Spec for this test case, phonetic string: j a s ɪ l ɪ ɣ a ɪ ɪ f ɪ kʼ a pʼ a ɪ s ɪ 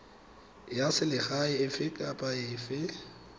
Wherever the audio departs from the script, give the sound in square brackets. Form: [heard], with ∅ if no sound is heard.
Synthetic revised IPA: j a s ɪ l ɪ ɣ a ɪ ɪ f ɪ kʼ a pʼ a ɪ [f] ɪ